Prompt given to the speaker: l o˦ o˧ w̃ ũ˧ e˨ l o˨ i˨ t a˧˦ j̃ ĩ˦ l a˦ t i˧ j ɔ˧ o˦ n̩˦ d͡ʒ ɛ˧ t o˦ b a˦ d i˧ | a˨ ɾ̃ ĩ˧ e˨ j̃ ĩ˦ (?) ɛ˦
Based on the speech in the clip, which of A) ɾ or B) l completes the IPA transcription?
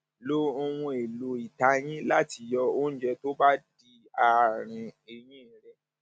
A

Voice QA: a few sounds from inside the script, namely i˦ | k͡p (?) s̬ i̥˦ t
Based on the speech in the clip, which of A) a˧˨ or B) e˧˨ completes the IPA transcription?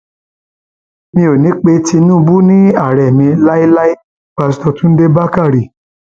A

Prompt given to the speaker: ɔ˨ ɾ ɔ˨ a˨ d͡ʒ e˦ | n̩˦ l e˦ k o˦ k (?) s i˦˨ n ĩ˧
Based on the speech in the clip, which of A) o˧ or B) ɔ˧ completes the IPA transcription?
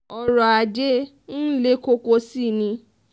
A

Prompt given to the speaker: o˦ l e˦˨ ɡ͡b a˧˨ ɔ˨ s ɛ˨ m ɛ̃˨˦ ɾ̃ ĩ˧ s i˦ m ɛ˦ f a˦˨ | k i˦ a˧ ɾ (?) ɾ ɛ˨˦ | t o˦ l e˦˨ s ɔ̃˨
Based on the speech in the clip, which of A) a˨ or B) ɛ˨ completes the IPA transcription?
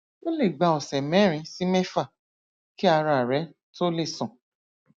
A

